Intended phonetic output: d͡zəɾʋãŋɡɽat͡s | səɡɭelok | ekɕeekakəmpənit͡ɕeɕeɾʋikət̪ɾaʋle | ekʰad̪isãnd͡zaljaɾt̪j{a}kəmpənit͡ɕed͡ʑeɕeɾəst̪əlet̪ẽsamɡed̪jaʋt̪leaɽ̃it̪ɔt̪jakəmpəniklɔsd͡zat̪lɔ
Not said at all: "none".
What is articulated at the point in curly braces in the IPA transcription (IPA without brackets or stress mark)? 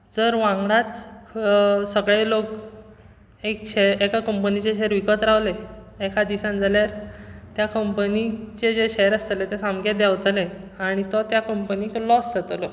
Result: a